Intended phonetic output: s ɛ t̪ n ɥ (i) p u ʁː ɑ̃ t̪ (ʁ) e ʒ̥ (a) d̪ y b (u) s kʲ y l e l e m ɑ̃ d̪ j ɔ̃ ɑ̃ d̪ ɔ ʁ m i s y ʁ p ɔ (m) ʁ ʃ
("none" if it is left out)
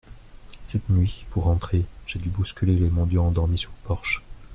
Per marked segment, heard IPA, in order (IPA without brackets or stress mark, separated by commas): i, χ, e, u, none